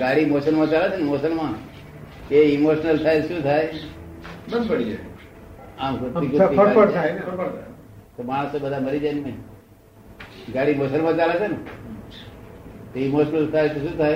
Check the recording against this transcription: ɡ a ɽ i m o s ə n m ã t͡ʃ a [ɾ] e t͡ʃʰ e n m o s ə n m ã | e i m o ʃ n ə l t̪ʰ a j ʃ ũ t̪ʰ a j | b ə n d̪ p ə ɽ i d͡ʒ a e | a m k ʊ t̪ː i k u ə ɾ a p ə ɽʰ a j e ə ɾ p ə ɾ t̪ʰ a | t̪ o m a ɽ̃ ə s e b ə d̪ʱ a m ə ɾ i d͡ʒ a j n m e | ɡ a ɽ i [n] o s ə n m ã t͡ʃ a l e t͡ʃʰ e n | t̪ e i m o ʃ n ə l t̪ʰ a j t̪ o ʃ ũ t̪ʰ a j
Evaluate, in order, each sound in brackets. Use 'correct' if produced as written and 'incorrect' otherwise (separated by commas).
incorrect, incorrect